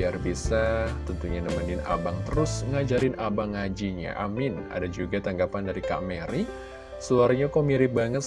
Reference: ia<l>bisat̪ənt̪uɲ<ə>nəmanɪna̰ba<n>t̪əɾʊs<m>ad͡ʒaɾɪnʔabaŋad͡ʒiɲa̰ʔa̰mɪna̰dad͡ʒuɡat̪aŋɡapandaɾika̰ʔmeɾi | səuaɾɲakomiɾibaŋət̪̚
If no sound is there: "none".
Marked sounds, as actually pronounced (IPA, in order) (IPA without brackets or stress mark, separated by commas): r, a, ŋ, ŋ